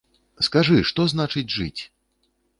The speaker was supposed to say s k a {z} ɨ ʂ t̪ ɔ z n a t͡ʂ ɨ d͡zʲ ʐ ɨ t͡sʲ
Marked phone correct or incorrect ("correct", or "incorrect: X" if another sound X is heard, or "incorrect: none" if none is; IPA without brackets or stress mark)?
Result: incorrect: ʐ